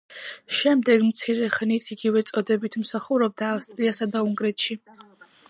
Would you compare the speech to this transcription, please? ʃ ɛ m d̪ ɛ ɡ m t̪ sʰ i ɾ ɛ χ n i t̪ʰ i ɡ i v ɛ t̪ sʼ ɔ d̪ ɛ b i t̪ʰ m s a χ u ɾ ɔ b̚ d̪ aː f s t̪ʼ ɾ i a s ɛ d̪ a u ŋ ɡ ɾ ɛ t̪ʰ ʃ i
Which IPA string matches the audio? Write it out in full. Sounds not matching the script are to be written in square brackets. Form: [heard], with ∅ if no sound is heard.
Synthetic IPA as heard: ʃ ɛ m d̪ ɛ ɡ m t̪ sʰ i ɾ ɛ χ n i t̪ʰ i ɡ i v ɛ t̪ sʼ ɔ d̪ ɛ b i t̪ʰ m s a χ u ɾ ɔ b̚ d̪ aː f s t̪ʼ ɾ i a s [a] d̪ a u ŋ ɡ ɾ ɛ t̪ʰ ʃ i